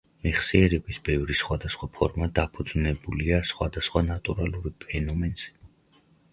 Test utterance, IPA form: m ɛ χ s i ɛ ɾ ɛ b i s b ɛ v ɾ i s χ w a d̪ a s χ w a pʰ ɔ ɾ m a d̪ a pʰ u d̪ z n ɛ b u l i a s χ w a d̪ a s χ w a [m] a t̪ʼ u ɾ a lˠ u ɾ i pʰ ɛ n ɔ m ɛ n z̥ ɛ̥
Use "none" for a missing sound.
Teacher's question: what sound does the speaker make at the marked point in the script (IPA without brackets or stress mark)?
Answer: n